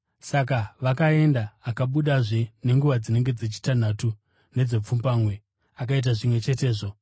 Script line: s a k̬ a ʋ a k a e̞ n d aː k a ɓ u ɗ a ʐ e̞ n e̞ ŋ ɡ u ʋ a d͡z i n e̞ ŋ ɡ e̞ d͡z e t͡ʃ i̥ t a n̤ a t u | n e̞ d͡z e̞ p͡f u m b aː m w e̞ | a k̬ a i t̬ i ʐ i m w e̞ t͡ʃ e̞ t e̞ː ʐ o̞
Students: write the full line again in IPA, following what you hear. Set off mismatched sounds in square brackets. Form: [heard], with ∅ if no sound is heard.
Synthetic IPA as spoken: s a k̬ a ʋ a k a e̞ n d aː k a ɓ u ɗ a ʐ e̞ n e̞ ŋ ɡ u ʋ a d͡z i n e̞ ŋ ɡ e̞ d͡z e t͡ʃ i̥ t a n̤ a t u | n e̞ d͡z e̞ p͡f u m b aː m w e̞ | a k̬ a i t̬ [a] ʐ i m w e̞ t͡ʃ e̞ t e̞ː ʐ o̞

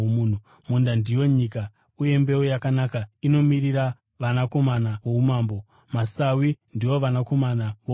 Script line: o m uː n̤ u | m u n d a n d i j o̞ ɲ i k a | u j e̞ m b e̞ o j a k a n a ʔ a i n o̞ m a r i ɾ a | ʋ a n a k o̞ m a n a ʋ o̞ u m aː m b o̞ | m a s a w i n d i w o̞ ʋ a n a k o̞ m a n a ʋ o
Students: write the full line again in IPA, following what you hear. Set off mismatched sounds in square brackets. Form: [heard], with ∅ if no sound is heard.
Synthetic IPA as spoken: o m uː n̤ u | m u n d a n d i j o̞ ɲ i k a | u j e̞ m b e̞ o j a k a n a [k] a i n o̞ m [i] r i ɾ a | ʋ a n a k o̞ m a n a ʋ o̞ u m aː m b o̞ | m a s a w i n d i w o̞ ʋ a n a k o̞ m a n a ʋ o

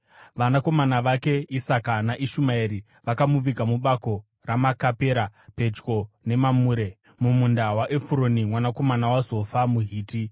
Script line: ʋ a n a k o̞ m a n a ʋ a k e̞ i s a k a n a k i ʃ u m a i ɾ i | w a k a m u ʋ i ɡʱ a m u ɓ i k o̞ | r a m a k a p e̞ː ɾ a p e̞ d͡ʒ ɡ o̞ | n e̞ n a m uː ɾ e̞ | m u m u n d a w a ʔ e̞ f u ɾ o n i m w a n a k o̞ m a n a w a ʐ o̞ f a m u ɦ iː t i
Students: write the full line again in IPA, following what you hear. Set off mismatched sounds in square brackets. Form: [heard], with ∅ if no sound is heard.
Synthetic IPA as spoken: ʋ a n a k o̞ m a n a ʋ a k e̞ i s a k a n a [ʔ] i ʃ u m a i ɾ i | [ʋ] a k a m u ʋ i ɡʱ a m u ɓ [a] k o̞ | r a m a k a p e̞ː ɾ a p e̞ d͡ʒ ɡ o̞ | n e̞ [m] a m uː ɾ e̞ | m u m u n d a w a ʔ e̞ f u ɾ o n i m w a n a k o̞ m a n a w a [z] o̞ f a m u ɦ iː t i

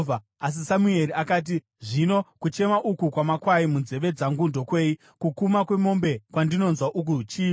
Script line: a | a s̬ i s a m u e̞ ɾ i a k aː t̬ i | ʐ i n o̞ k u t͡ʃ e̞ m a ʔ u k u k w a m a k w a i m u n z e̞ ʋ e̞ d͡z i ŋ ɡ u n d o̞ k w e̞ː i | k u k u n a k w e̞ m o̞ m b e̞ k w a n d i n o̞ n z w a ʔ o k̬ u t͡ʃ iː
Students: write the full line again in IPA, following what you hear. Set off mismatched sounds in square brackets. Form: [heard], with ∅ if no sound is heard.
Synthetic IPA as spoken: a | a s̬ i s a m u e̞ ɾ i a k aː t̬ i | ʐ i n o̞ k u t͡ʃ e̞ m a ʔ u k u k w a m a k w a i m u n z e̞ ʋ e̞ d͡z [a] ŋ ɡ u n d o̞ k w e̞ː i | k u k u [m] a k w e̞ m o̞ m b e̞ k w a n d i n o̞ n z w a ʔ [u] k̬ u t͡ʃ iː

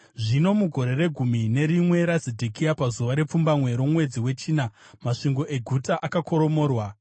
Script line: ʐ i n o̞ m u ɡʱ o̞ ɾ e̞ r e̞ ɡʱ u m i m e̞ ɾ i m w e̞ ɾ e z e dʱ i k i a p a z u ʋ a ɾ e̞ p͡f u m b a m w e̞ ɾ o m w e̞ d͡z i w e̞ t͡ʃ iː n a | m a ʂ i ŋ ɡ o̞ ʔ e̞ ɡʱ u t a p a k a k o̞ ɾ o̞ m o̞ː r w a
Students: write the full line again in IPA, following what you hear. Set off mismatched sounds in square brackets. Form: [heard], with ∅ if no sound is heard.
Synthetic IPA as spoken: ʐ i n o̞ m u ɡʱ o̞ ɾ e̞ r e̞ ɡʱ u m i [n] e̞ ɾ i m w e̞ ɾ [a] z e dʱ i k i a p a z u ʋ a ɾ e̞ p͡f u m b a m w e̞ ɾ o m w e̞ d͡z i w e̞ t͡ʃ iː n a | m a ʂ i ŋ ɡ o̞ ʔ e̞ ɡʱ u t a [ʔ] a k a k o̞ ɾ o̞ m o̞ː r w a

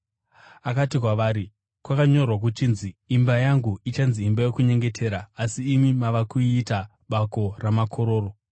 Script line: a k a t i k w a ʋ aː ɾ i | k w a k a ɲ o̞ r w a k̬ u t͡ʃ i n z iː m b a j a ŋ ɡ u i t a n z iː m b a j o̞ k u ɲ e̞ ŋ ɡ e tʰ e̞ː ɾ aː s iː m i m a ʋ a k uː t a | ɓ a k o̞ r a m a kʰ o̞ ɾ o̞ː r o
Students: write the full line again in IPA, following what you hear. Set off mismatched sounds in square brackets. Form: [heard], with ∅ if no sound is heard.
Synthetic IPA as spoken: a k a t i k w a ʋ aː ɾ i | k w a k a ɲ o̞ r w a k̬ u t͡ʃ i n z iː m b a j a ŋ ɡ u i [t͡ʃ] a n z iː m b a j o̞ k u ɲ e̞ ŋ ɡ e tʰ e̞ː ɾ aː s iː m i m a ʋ a k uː t a | ɓ a k o̞ r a m a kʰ o̞ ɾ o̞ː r o

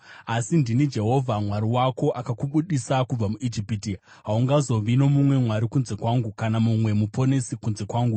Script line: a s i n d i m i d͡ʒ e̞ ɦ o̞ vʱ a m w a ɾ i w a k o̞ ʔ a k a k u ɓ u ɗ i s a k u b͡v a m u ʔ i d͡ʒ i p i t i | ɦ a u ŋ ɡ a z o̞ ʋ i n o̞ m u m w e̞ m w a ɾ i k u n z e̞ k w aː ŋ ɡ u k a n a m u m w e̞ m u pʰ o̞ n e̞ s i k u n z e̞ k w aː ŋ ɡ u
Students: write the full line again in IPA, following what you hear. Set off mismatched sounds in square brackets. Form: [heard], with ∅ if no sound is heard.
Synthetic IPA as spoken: a s i n d i [n] i d͡ʒ e̞ ɦ o̞ vʱ a m w a ɾ i w a k o̞ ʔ a k a k u ɓ u ɗ i s a k u b͡v a m u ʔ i d͡ʒ i p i t i | ɦ a u ŋ ɡ a z o̞ ʋ i n o̞ m u m w e̞ m w a ɾ i k u n z e̞ k w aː ŋ ɡ u k a n a m u m w e̞ m u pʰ o̞ n e̞ s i k u n z e̞ k w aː ŋ ɡ u

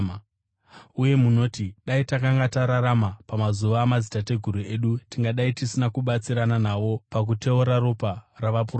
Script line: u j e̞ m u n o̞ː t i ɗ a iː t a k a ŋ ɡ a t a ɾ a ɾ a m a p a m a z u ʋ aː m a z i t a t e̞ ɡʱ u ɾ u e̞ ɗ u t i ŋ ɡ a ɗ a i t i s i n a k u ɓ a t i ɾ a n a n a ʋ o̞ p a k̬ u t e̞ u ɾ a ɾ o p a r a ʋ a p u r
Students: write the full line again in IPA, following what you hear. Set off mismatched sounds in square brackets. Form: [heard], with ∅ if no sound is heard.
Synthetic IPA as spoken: u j e̞ m u n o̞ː t i ɗ a [i] t a k a ŋ ɡ a t a ɾ a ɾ a m a p a m a z u ʋ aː m a z i t a t e̞ ɡʱ u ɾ u e̞ ɗ u t i ŋ ɡ a ɗ a i t i s i n a k u ɓ a [t͡s] i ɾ a n a n a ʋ o̞ p a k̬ u t e̞ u ɾ a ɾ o p a r a ʋ a p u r

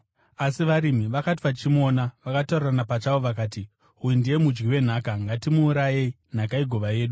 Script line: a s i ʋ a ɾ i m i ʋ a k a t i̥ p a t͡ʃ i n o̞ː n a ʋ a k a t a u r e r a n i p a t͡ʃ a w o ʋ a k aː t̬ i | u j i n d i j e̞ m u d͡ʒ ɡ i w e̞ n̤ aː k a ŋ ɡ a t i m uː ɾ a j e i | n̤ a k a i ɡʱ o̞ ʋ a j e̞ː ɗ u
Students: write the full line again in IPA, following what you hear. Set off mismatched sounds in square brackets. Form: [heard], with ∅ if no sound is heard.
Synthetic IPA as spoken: a s i ʋ a ɾ i m i ʋ a k a t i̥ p a t͡ʃ i [m] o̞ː n a ʋ a k a t a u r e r a n [a] p a t͡ʃ a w o ʋ a k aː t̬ i | u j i n d i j e̞ m u d͡ʒ ɡ i w e̞ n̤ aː k a ŋ ɡ a t i m uː ɾ a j e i | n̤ a k a i ɡʱ o̞ ʋ a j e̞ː ɗ u

